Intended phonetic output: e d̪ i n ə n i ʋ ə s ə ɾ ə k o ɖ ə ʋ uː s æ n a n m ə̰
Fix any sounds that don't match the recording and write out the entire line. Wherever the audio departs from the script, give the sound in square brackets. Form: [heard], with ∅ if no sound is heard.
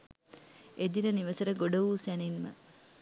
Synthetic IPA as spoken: e d̪ i n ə n i ʋ ə s ə ɾ ə [ɡ] o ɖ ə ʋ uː s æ n [i] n m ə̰